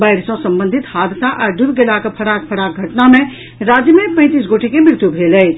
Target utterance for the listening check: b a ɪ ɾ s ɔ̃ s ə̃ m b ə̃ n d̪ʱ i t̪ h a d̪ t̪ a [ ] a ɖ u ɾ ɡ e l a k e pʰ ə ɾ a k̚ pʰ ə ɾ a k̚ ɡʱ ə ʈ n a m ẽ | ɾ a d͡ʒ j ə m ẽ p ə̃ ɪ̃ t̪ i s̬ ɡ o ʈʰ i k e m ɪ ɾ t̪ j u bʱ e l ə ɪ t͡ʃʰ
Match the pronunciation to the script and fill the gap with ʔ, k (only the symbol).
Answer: ʔ